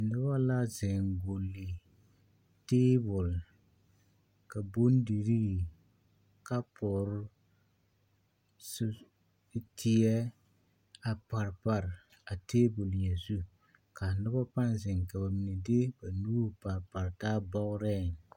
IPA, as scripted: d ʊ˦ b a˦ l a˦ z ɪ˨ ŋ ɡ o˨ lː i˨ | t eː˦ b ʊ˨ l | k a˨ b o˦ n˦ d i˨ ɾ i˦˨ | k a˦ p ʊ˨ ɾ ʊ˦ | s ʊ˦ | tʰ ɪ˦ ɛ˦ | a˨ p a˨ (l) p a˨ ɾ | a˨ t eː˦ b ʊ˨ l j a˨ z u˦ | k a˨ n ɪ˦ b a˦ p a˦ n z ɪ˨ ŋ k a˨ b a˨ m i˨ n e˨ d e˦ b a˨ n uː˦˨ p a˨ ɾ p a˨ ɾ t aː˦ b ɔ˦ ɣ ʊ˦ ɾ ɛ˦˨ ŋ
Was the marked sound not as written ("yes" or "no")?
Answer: yes